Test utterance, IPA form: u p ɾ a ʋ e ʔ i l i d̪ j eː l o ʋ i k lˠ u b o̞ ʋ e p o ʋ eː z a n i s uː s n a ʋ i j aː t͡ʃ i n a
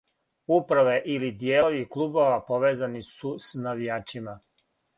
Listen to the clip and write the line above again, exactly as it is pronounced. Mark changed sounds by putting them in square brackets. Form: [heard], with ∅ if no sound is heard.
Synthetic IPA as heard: u p ɾ a ʋ e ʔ i l i d̪ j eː l o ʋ i k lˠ u b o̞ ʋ [a] p o ʋ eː z a n i s [u] s n a ʋ i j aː t͡ʃ i [m] a

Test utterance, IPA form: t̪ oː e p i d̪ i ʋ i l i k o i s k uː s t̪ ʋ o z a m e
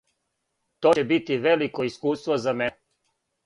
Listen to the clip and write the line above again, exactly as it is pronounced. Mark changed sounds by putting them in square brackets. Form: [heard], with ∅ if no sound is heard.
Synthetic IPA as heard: t̪ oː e [b] i [t̪] i ʋ [e] l i k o i s k uː s t̪ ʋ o z a m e

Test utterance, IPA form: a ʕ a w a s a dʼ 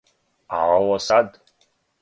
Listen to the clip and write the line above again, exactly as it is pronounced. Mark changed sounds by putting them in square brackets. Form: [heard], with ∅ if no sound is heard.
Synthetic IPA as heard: a ʕ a w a s a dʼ

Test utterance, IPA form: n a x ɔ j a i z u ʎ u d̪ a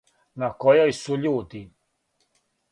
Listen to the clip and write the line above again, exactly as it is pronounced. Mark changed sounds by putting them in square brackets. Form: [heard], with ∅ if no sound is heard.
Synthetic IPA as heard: n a [k] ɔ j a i [s] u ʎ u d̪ [i]

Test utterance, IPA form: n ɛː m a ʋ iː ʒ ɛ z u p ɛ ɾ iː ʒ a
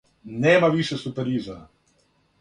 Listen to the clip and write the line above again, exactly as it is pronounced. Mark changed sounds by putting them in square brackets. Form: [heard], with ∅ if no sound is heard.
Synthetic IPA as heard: n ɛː m a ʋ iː [ʃ] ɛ [s] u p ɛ ɾ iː [z] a

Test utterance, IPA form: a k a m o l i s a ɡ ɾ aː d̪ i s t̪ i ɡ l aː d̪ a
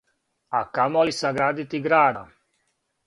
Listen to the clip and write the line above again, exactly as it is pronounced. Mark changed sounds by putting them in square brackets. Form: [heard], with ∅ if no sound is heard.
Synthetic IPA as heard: a k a m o l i s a ɡ ɾ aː d̪ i [∅] t̪ i ɡ [ɾ] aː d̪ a

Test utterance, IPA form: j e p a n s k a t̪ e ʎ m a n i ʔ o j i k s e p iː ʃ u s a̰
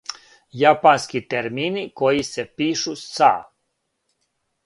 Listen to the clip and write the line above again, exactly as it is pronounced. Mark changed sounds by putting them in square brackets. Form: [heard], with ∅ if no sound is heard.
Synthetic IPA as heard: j [a] p a n s k [i] t̪ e [ɾ] m [i] n i [k] o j i [∅] s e p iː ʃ u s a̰

